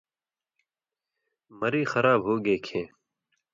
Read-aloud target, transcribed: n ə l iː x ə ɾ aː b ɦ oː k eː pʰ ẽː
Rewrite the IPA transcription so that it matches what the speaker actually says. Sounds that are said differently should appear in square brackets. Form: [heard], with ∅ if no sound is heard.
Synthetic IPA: [m] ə [ɾ] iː x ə ɾ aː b ɦ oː [ɡ] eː [kʰ] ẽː